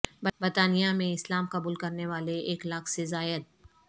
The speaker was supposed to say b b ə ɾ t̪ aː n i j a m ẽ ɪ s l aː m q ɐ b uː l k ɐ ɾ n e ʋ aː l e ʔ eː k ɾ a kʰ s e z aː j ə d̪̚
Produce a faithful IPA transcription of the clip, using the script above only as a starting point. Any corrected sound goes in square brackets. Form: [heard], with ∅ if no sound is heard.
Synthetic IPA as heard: b b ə ɾ t̪ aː n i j a m ẽ ɪ s l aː m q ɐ b uː l k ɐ ɾ n e ʋ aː l e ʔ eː k [l] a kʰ s e z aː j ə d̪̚